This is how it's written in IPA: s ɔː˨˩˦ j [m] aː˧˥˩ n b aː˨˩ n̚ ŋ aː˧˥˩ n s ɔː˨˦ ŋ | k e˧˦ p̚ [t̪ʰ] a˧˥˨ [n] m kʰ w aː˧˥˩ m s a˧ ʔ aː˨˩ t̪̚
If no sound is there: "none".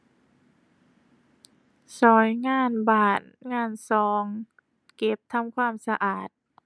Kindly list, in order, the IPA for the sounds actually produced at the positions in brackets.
ŋ, t̪ʰ, none

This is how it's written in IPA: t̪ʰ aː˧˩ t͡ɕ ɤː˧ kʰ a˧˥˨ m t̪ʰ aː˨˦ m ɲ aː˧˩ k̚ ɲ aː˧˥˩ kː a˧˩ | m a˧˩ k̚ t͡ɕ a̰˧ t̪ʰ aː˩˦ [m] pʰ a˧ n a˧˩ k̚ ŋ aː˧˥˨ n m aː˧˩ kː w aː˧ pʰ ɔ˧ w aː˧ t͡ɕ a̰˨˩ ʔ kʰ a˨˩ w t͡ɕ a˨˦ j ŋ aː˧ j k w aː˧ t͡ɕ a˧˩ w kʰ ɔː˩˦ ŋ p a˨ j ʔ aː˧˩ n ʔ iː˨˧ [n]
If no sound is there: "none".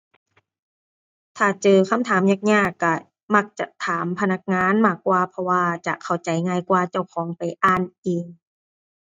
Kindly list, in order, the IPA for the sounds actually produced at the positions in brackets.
m, ŋ

